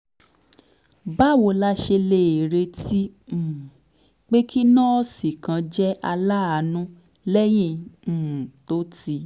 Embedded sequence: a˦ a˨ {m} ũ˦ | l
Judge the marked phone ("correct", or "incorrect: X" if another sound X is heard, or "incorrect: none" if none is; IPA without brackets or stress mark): incorrect: n